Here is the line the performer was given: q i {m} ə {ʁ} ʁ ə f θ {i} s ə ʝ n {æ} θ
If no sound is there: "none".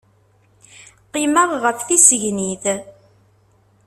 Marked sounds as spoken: m, ʁ, i, i

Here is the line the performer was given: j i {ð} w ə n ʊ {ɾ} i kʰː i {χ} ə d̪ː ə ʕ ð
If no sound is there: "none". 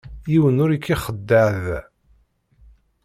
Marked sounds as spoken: none, ɾ, χ

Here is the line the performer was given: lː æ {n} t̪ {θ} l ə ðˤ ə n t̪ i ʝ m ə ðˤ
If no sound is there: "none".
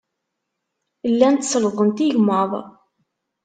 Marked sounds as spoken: n, s

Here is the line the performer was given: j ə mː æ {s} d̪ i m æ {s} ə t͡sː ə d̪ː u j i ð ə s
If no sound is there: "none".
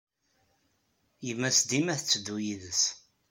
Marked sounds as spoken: s, θ

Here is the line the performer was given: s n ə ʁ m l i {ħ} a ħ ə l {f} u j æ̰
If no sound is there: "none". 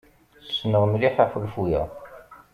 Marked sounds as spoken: ħ, f

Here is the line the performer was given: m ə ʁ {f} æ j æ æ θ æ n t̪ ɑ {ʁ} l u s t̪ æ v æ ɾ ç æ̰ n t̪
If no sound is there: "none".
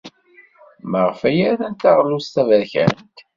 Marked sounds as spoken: f, ʁ

